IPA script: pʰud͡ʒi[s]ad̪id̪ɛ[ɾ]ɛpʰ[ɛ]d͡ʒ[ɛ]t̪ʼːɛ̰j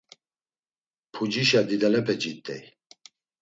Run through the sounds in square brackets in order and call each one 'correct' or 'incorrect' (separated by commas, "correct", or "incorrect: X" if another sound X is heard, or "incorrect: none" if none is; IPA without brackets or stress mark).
incorrect: ʃ, incorrect: l, correct, incorrect: i